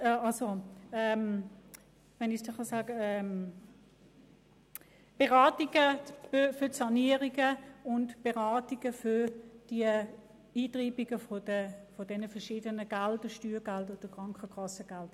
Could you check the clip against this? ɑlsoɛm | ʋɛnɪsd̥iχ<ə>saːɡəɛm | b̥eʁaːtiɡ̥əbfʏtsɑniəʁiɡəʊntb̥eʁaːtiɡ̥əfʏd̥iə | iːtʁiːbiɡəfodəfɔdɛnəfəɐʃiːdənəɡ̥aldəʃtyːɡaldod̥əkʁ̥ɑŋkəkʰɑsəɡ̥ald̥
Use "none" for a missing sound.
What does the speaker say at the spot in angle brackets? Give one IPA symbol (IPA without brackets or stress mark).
ɑ